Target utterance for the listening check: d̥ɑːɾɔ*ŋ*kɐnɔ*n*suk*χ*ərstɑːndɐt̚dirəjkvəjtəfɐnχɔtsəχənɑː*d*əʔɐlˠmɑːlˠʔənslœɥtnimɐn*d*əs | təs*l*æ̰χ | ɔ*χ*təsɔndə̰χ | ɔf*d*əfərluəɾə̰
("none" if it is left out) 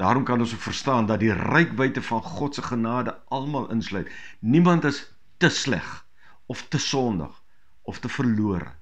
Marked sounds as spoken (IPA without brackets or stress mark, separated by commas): m, n, f, d, t, l, f, t